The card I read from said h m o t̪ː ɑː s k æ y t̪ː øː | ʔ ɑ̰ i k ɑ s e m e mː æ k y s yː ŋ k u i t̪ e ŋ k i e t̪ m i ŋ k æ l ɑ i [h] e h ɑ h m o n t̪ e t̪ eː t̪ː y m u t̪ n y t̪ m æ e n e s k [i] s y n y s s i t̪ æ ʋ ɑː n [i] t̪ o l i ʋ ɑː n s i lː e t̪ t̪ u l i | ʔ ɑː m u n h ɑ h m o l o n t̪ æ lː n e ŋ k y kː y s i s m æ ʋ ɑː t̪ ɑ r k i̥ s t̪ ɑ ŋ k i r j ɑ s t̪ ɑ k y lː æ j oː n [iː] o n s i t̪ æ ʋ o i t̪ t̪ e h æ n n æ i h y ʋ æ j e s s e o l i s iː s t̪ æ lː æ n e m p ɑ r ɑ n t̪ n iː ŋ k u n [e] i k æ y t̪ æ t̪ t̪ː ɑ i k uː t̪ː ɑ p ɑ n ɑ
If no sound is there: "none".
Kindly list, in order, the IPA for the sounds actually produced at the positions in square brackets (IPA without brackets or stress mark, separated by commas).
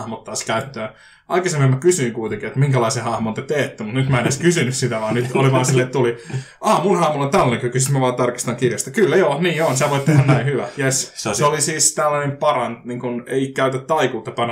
s, y, y, iː, e